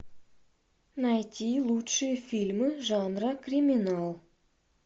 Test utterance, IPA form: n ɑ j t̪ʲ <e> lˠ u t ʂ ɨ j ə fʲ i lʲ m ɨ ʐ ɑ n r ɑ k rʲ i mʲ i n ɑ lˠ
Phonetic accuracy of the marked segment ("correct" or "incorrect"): incorrect